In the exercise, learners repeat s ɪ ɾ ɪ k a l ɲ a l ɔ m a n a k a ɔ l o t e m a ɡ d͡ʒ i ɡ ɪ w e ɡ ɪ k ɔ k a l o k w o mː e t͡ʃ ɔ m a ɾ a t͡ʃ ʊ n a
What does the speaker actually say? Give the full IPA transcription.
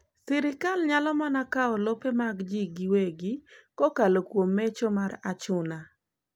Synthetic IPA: s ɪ ɾ ɪ k a l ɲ a l ɔ m a n a k a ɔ l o p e m a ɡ d͡ʒ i ɡ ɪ w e ɡ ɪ k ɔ k a l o k w o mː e t͡ʃ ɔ m a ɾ a t͡ʃ ʊ n a